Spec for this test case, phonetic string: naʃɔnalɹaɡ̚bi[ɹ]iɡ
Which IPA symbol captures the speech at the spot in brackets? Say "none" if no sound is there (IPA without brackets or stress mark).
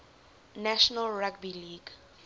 l